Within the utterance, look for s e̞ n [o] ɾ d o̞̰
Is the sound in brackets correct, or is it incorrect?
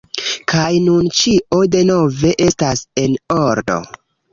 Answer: correct